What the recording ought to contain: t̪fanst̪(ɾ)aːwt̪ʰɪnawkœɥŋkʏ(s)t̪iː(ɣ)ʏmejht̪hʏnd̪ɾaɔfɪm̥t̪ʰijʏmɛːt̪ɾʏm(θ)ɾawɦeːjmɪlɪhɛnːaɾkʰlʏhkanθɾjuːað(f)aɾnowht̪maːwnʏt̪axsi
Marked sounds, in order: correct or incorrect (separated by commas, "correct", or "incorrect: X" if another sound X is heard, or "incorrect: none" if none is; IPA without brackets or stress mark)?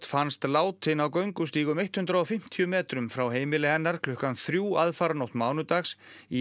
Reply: incorrect: l, correct, correct, incorrect: f, correct